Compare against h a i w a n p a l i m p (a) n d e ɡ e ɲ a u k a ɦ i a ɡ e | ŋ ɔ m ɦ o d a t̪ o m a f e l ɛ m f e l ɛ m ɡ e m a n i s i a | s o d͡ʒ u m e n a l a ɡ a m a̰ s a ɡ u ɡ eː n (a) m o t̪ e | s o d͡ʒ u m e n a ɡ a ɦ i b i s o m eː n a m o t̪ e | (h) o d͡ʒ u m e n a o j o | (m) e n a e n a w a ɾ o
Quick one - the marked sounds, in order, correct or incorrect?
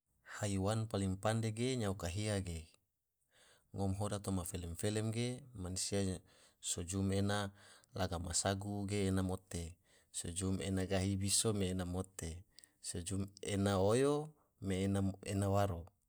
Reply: correct, correct, incorrect: s, correct

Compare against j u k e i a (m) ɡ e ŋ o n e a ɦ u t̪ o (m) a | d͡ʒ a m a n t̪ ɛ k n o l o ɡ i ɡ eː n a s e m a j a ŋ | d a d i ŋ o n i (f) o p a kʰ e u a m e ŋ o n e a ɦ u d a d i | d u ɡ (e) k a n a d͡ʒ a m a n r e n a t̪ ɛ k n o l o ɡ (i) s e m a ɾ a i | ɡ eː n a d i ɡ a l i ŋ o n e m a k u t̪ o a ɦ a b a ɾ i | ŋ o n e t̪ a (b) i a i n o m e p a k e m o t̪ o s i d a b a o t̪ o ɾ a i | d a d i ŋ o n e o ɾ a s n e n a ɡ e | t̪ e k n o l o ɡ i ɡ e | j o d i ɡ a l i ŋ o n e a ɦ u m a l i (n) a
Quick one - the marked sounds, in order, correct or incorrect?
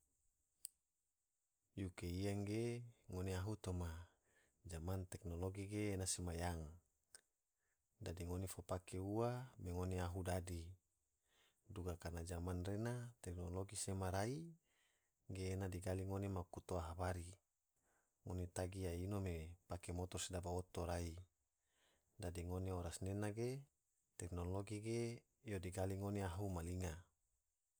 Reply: incorrect: ŋ, correct, correct, incorrect: a, correct, incorrect: ɡ, incorrect: ŋ

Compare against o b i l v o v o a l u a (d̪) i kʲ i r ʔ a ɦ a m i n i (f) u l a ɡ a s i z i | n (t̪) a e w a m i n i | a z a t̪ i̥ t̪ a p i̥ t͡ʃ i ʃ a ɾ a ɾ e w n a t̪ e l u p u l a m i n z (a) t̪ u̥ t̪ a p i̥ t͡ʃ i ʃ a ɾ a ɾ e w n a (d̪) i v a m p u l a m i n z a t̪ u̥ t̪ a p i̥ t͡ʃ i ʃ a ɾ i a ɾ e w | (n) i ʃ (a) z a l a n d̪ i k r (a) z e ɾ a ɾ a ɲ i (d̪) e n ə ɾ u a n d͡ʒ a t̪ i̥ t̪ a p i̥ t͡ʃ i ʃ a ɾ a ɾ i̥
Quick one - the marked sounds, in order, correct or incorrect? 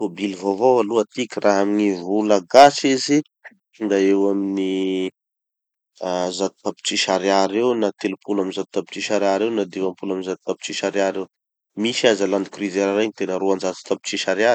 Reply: incorrect: t̪, incorrect: v, incorrect: d̪, correct, correct, incorrect: m, correct, incorrect: i, incorrect: t̪

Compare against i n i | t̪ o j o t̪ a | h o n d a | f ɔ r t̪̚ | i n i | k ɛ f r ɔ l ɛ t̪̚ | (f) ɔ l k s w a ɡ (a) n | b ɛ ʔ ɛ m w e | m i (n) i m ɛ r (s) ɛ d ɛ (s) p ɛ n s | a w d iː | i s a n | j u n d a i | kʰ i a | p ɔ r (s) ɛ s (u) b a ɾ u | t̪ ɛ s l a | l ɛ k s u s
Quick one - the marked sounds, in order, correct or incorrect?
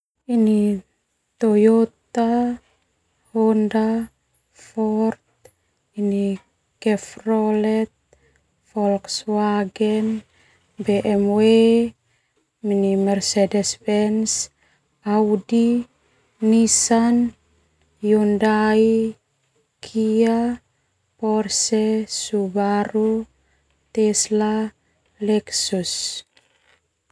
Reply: correct, incorrect: ɛ, correct, correct, correct, correct, correct

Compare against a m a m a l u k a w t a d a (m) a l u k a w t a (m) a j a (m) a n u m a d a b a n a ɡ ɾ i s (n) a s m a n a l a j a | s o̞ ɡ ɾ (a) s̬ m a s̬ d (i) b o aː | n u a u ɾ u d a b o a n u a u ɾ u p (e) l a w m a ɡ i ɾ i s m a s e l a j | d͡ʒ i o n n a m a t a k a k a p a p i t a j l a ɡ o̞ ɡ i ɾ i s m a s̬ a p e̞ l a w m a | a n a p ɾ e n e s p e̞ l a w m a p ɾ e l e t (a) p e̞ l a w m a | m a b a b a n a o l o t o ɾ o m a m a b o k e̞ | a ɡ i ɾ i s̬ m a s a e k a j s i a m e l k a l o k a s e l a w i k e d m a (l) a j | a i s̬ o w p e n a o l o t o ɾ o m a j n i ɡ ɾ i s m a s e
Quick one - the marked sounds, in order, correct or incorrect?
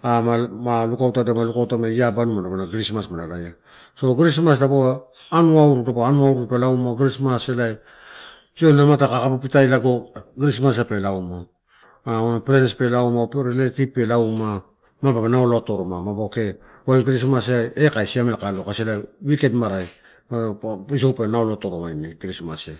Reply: correct, correct, incorrect: b, incorrect: m, incorrect: i, incorrect: a, correct, incorrect: i, incorrect: ɾ

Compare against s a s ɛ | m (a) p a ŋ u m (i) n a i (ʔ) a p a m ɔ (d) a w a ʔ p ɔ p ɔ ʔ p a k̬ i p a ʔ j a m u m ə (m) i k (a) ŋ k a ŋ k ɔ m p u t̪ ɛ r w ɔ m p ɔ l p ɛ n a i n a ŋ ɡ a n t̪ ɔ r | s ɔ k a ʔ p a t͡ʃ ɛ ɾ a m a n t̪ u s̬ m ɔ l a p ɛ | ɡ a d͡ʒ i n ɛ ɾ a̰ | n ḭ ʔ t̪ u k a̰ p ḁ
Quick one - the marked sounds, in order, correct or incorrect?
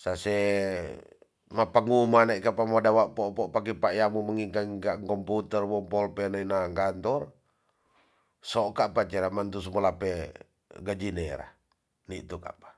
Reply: correct, incorrect: a, incorrect: k, correct, incorrect: ŋ, correct

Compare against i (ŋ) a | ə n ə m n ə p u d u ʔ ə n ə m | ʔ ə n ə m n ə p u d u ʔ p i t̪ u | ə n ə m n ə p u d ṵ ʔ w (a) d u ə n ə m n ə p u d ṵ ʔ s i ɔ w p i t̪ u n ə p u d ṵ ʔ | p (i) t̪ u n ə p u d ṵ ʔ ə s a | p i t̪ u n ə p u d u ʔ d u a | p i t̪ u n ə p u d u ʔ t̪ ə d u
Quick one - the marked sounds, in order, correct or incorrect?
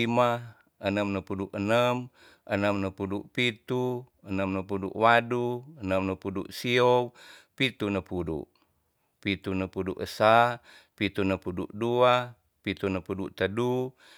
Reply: incorrect: m, correct, correct

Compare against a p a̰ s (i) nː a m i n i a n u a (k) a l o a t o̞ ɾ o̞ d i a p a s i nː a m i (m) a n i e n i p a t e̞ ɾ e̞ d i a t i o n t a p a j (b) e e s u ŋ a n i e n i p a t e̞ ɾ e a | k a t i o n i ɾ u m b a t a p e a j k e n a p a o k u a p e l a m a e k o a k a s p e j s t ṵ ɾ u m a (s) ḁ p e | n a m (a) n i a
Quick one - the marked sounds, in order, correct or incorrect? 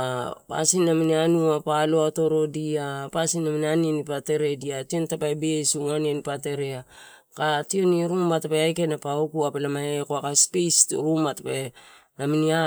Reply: correct, incorrect: p, incorrect: n, correct, incorrect: t, incorrect: i

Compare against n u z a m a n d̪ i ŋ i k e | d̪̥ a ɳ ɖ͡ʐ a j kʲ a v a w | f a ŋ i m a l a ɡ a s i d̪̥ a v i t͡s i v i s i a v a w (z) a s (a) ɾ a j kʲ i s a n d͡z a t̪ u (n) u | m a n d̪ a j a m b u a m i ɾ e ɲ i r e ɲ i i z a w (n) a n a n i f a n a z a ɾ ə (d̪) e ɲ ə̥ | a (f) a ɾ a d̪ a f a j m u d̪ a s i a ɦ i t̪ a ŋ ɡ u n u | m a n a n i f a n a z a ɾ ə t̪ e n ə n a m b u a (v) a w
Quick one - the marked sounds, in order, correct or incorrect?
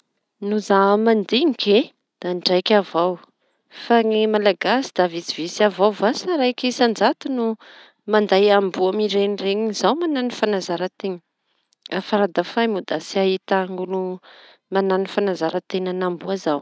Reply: incorrect: v, correct, correct, incorrect: m, incorrect: t̪, correct, incorrect: z

